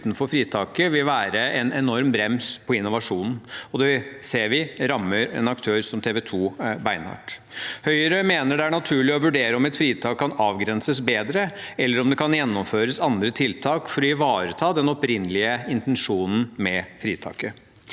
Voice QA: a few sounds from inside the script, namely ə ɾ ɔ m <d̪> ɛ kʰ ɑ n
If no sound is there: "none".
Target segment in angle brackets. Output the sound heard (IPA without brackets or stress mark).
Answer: d̪